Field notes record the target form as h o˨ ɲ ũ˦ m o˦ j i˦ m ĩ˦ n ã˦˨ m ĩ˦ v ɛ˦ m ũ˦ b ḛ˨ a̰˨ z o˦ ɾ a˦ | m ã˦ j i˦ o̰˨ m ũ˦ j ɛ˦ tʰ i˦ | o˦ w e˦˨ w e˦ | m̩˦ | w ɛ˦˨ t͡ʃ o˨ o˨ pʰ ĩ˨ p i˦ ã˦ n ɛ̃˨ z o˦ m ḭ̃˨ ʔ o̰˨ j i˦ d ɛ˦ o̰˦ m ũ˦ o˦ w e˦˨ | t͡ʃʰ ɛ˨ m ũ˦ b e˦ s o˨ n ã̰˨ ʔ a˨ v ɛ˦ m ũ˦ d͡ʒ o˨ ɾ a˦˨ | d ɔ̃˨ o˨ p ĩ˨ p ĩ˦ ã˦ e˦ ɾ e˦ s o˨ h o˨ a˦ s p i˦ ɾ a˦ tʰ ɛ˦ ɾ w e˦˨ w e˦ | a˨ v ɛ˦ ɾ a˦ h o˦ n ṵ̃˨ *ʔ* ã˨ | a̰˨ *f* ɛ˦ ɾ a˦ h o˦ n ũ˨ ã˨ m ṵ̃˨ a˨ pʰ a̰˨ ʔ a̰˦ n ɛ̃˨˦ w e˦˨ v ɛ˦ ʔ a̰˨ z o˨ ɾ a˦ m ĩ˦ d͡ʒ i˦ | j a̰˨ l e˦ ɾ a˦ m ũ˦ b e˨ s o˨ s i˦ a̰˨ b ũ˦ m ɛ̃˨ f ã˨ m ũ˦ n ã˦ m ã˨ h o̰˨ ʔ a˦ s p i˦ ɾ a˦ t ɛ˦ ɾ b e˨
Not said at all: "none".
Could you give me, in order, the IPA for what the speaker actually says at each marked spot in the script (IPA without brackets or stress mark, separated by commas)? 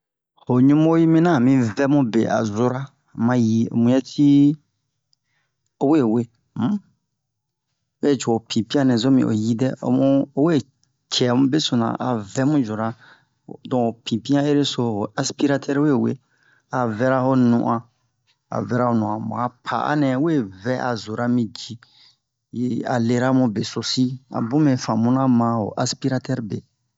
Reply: ʔ, v